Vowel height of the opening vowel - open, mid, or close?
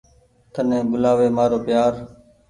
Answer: mid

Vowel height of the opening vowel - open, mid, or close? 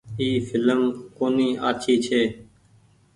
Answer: close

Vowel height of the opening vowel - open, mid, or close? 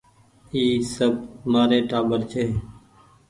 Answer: close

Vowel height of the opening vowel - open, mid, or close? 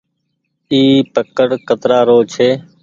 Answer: close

